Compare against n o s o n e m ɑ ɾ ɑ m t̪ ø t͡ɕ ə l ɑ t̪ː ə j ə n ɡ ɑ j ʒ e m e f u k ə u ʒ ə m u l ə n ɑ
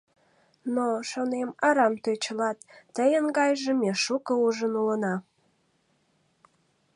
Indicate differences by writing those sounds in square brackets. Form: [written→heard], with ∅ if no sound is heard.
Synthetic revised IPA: n o [s→ʃ] o n e m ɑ ɾ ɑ m t̪ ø t͡ɕ ə l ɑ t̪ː ə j ə n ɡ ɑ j ʒ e m e [f→ʃ] u k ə u ʒ ə [m→n] u l ə n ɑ